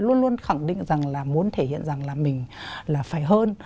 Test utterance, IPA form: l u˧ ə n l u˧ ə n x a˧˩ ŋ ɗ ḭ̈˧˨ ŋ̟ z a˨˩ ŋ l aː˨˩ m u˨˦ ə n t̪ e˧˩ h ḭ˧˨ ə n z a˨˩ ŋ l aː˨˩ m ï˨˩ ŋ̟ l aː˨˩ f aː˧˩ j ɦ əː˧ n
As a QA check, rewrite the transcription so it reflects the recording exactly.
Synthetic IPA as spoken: l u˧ ə n l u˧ ə n x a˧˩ ŋ ɗ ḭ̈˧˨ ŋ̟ z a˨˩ ŋ l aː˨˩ m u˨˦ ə n t̪ʰ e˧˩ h ḭ˧˨ ə n z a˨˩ ŋ l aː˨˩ m ï˨˩ ŋ̟ l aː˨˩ f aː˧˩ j ɦ əː˧ n